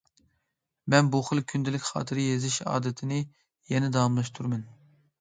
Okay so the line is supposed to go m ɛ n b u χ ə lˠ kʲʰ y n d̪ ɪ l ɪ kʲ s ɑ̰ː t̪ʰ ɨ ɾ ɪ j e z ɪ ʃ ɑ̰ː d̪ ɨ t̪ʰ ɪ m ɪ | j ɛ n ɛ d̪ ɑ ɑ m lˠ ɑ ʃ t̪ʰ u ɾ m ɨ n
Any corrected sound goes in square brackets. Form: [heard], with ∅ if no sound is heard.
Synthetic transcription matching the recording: m ɛ n b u χ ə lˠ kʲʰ y n d̪ ɪ l ɪ kʲ [χ] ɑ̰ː t̪ʰ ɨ ɾ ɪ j e z ɪ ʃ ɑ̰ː d̪ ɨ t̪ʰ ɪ [n] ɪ | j ɛ n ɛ d̪ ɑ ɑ m lˠ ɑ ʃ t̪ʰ u ɾ m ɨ n